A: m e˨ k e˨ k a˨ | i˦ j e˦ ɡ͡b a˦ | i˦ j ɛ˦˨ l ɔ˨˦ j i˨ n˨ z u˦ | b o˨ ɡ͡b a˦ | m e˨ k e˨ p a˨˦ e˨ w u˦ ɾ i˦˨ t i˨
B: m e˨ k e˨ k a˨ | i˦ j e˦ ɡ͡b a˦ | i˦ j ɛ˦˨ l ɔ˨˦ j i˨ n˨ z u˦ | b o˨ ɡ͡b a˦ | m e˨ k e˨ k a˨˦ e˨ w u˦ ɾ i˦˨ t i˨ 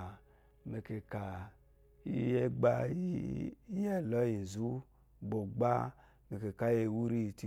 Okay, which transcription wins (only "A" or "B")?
B